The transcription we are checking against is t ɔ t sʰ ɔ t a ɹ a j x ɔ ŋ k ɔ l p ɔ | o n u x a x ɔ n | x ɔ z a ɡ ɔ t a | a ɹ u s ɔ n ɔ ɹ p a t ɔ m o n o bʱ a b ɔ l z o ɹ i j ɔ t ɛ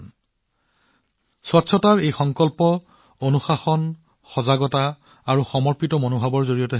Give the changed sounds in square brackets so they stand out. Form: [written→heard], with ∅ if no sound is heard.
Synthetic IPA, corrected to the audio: [t→s] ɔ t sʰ ɔ t a ɹ [a→e] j x ɔ ŋ k ɔ l p ɔ | o n u x a x ɔ n | x ɔ z a ɡ ɔ t a | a ɹ u [s→x] ɔ [n→m] ɔ ɹ p [a→i] t ɔ m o n o bʱ a b ɔ [l→ɹ] z o ɹ i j ɔ t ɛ